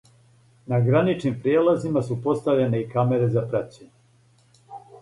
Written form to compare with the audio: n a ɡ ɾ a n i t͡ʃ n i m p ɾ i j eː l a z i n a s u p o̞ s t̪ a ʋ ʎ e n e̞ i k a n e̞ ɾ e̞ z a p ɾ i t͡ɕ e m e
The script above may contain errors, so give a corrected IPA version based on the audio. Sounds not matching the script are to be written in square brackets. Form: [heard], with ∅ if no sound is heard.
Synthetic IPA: n a ɡ ɾ a n i t͡ʃ n i m p ɾ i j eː l a z i [m] a s u p o̞ s t̪ a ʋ ʎ e n e̞ i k a [m] e̞ ɾ e̞ z a p ɾ [a] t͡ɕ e [ɲ] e

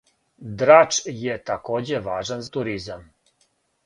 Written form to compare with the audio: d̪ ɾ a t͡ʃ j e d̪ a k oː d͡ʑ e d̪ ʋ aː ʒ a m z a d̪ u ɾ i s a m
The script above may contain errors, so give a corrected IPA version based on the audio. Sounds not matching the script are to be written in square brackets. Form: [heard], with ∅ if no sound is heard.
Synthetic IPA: d̪ ɾ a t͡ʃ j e [t̪] a k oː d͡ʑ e [∅] ʋ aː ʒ a [n] z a [t̪] u ɾ i [z] a m

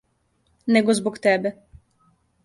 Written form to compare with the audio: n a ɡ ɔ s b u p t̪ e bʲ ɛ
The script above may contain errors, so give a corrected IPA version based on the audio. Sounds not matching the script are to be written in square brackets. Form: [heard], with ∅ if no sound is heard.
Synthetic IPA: n [ɛ] ɡ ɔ [z] b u [k] t̪ [ɛ] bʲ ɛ

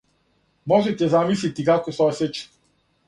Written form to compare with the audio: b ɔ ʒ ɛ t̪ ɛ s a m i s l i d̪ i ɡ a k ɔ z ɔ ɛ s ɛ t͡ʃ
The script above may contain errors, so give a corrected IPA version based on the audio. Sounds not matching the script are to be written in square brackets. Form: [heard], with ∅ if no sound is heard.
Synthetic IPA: [m] ɔ ʒ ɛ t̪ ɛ [z] a m i s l i [t̪] i [k] a k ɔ [s] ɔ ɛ s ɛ t͡ʃ

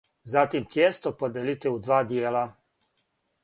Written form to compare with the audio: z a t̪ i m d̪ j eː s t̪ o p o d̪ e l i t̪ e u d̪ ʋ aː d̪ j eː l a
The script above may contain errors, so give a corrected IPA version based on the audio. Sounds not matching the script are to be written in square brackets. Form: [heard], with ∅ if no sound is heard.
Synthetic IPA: z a t̪ i m [t̪] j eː s t̪ o p o d̪ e l i t̪ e u d̪ ʋ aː d̪ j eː l a

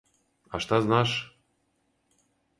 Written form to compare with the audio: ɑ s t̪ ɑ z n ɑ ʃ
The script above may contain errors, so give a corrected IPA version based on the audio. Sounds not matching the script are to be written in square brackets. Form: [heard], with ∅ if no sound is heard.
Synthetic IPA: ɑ [ʃ] t̪ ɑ z n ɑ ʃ

